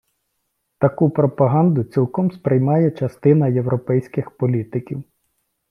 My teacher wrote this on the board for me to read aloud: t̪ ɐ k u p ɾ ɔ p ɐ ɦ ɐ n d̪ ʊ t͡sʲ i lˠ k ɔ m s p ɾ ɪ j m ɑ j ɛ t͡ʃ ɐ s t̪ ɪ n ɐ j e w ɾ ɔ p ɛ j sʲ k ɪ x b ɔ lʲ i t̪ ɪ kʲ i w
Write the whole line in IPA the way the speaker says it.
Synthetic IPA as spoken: t̪ ɐ k u p ɾ ɔ p ɐ ɦ ɑ n d̪ ʊ t͡sʲ i lˠ k ɔ m s p ɾ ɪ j m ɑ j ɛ t͡ʃ ɐ s t̪ ɪ n ɐ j e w ɾ ɔ p ɛ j sʲ k ɪ x p ɔ lʲ i t̪ ɪ kʲ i w